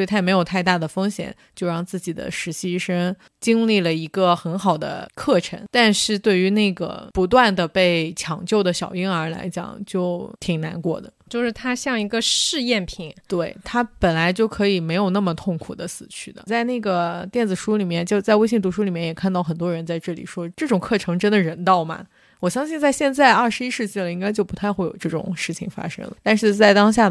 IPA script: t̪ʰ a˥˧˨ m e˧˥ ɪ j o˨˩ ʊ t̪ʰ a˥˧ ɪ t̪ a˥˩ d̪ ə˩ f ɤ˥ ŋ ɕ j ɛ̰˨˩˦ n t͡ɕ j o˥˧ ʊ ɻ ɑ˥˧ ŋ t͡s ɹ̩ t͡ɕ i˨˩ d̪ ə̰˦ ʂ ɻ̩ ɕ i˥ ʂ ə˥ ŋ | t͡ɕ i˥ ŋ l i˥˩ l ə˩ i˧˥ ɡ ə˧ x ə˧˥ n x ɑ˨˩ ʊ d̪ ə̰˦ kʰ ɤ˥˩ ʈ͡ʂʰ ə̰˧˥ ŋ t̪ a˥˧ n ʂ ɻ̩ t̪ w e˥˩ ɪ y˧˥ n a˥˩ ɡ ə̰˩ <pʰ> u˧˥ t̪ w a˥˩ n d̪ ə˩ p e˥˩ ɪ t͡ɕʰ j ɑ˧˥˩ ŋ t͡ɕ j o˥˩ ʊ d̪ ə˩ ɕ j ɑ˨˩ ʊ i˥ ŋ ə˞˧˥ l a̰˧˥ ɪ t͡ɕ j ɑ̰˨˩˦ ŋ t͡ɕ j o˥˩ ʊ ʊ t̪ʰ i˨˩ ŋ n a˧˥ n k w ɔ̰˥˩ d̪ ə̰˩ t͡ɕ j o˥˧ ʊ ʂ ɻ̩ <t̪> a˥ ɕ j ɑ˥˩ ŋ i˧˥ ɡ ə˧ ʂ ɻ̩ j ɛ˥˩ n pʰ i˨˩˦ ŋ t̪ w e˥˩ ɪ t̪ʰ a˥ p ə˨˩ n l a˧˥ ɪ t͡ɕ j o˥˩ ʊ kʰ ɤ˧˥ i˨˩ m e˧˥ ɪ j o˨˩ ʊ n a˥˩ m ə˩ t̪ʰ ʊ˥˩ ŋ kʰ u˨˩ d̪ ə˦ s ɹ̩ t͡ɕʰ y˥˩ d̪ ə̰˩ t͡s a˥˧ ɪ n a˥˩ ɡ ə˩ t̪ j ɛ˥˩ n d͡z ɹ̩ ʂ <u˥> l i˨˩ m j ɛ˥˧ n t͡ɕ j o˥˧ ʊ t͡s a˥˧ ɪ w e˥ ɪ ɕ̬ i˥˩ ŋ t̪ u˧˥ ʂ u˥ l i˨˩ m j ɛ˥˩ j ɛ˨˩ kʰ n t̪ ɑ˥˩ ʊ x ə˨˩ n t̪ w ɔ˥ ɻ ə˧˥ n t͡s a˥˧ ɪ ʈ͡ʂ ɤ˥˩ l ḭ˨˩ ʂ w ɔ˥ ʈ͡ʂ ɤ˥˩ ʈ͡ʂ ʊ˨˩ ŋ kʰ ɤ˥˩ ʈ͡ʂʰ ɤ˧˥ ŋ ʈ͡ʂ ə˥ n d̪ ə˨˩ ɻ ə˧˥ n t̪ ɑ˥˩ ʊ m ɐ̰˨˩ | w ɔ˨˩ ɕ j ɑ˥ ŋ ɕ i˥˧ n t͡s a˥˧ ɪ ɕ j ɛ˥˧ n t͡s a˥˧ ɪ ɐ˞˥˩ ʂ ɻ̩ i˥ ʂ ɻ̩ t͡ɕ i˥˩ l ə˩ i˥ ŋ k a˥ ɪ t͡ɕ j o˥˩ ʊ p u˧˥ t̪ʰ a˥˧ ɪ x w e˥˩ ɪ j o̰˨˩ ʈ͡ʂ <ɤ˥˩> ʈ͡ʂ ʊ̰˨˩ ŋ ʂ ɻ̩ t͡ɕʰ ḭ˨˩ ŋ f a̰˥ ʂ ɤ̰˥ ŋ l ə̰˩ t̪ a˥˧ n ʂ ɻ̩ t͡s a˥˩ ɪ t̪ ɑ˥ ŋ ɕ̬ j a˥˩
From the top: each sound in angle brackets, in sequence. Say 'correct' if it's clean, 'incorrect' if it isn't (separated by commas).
incorrect, incorrect, correct, correct